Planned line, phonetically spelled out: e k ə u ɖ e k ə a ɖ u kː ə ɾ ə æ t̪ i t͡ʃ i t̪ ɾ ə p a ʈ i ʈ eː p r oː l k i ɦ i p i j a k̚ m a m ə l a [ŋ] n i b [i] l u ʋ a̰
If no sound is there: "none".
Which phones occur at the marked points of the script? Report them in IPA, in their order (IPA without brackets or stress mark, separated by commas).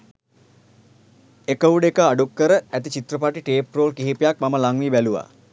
ŋ, æ